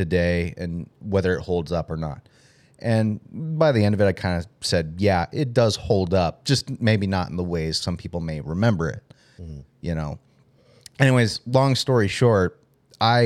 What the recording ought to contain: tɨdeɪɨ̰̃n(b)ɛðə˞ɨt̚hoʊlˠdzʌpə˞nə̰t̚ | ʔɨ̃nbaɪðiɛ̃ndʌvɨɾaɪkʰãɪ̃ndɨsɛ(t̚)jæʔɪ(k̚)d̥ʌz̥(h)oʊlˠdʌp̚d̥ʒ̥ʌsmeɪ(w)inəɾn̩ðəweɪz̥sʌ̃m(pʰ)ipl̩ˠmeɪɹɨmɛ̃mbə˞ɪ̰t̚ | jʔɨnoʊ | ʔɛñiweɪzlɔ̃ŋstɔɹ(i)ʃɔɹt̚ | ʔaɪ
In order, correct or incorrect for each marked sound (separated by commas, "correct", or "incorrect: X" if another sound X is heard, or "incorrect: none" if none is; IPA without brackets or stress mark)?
incorrect: w, incorrect: d̚, incorrect: t̚, correct, incorrect: b, correct, correct